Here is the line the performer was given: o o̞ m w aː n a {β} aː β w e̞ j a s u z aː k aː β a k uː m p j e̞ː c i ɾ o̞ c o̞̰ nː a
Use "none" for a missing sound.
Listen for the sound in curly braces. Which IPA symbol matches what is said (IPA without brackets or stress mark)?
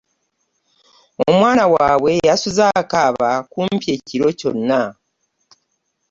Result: w